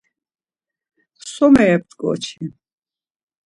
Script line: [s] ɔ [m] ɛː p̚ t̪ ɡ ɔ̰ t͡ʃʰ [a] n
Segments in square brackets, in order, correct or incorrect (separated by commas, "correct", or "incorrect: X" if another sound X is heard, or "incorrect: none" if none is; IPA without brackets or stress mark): correct, correct, incorrect: i